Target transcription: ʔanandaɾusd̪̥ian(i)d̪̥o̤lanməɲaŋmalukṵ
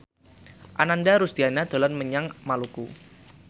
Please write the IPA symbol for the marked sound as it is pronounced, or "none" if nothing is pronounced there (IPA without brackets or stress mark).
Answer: a